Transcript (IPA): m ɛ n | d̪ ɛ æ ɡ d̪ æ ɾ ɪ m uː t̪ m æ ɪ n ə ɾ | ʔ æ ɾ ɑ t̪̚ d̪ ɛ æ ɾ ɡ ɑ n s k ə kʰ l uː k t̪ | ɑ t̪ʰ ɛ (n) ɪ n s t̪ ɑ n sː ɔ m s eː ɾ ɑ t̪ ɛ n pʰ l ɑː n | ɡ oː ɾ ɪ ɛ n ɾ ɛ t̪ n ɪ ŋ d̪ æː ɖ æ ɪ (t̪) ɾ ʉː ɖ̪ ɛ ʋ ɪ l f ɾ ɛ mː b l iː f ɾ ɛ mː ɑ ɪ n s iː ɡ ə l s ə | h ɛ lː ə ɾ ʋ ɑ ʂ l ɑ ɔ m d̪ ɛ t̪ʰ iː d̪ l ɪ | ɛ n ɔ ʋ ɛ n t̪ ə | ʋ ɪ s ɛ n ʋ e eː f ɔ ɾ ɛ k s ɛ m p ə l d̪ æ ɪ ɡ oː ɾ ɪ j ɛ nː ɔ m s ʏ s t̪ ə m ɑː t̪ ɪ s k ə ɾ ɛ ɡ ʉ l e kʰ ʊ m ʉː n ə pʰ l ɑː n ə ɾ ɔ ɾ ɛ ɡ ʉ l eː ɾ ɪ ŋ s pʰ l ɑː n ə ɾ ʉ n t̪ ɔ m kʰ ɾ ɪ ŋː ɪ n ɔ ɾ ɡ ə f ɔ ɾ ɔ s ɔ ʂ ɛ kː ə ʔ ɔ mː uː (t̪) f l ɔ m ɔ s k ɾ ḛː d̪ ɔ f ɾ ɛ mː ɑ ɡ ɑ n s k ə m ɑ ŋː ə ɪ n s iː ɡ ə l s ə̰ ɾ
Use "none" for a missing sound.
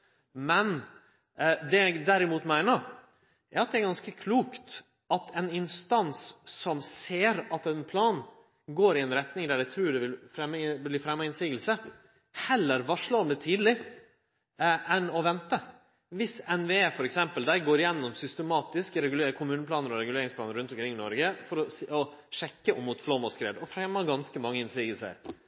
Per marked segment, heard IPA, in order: n, t̪ʰ, t̪

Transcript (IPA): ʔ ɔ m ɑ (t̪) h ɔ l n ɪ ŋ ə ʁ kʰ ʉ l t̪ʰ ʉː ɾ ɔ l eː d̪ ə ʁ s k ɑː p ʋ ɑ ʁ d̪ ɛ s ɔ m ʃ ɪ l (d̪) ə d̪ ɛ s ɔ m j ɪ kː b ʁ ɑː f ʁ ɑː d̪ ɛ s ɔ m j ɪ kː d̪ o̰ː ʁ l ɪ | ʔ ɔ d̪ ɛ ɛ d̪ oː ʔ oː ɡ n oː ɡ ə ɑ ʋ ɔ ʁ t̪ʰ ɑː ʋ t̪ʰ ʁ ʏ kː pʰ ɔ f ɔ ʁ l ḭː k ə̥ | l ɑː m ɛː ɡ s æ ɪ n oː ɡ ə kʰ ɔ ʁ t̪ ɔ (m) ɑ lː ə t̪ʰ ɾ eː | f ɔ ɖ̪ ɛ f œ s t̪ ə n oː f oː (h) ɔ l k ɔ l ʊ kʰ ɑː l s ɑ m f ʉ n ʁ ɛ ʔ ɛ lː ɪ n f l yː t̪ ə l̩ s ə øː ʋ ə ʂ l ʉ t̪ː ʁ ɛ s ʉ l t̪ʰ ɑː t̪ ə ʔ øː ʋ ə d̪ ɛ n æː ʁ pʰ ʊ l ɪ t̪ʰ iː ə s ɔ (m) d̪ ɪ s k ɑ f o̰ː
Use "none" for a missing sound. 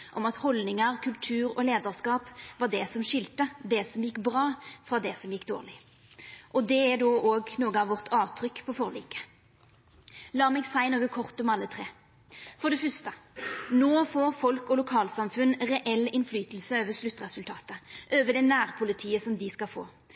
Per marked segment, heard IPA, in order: t̪, t̪, m, f, m

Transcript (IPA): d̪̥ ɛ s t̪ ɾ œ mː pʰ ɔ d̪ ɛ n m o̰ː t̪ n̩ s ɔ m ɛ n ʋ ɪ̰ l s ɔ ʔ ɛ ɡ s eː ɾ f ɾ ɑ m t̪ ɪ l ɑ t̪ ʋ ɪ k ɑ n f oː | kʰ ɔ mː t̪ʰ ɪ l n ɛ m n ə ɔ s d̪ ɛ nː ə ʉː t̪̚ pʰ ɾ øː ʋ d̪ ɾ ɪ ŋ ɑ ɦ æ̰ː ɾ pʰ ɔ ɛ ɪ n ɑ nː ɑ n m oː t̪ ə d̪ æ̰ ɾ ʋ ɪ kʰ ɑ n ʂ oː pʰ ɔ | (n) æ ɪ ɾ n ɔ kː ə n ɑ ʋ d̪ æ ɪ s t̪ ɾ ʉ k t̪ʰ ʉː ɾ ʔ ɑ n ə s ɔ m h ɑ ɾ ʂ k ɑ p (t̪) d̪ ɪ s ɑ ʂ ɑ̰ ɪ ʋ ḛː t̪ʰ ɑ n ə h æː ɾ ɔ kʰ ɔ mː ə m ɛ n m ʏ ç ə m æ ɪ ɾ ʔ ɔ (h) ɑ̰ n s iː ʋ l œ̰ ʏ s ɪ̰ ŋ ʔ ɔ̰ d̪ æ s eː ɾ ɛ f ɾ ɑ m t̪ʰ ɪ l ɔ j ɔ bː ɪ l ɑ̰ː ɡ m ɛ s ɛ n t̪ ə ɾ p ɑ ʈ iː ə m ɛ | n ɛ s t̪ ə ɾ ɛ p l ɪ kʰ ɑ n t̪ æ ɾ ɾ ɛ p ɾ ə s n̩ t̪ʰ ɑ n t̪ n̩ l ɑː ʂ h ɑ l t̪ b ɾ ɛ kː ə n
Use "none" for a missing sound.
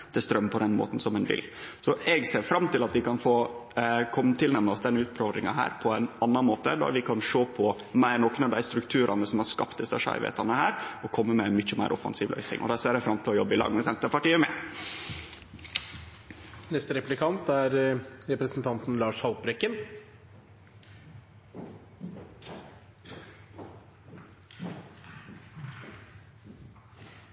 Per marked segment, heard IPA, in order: m, t̪, f

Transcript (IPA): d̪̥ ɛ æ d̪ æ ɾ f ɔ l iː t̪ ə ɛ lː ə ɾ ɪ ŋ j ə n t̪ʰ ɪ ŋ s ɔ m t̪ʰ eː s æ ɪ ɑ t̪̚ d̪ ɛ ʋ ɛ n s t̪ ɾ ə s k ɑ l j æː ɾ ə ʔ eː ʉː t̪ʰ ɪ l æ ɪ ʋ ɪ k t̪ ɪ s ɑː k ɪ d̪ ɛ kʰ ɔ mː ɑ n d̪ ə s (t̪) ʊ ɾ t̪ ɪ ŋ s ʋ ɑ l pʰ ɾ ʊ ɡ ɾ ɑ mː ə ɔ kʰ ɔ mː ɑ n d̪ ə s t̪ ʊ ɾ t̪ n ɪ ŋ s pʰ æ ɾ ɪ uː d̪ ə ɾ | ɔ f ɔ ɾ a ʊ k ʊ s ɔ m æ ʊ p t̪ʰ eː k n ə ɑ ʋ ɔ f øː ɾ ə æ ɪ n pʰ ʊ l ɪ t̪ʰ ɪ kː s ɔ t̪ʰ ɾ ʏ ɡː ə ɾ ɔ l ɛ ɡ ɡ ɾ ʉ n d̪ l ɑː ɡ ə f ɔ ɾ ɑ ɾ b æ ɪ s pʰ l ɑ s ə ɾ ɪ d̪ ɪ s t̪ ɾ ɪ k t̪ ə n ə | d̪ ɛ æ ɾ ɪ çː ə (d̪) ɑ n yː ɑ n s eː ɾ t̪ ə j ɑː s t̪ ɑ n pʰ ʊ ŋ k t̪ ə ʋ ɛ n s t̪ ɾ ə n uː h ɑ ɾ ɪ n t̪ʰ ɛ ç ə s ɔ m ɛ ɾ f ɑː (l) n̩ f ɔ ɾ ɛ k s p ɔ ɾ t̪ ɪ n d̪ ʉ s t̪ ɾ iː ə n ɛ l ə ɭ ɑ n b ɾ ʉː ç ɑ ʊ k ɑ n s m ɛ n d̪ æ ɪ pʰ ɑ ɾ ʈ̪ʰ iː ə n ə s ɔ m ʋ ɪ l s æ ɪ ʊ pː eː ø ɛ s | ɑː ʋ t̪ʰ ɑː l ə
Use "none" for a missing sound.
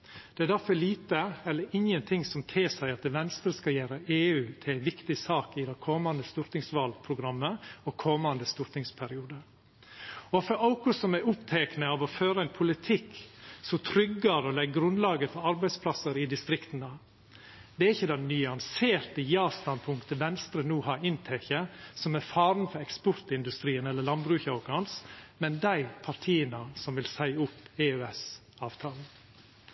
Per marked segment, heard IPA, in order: t̪, d̪, ɾ

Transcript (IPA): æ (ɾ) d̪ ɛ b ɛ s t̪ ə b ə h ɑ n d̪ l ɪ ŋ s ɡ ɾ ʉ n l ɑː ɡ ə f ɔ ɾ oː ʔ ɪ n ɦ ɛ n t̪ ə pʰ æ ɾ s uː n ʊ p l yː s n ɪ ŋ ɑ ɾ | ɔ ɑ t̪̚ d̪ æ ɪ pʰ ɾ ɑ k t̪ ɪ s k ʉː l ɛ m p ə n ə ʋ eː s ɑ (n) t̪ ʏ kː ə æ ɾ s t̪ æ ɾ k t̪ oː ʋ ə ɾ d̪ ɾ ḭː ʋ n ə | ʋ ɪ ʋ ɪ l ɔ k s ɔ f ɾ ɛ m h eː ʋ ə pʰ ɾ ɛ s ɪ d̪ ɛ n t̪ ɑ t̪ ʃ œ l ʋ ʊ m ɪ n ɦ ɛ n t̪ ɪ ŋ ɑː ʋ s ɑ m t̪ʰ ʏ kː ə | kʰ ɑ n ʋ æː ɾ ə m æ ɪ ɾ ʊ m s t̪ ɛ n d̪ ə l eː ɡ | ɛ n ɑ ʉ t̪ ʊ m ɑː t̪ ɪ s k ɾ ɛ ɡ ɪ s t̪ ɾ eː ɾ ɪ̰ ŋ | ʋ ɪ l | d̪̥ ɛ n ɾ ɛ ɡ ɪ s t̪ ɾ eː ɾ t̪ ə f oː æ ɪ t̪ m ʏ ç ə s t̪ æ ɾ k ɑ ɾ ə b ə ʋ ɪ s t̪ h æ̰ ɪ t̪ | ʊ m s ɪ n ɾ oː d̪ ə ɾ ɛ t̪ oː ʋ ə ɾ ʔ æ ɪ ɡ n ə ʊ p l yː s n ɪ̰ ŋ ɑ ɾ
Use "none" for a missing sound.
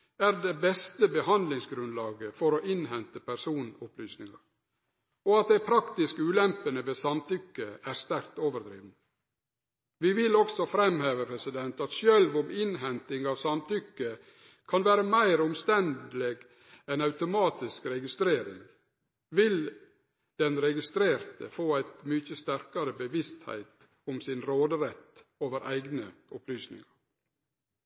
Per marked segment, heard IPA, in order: ɾ, m

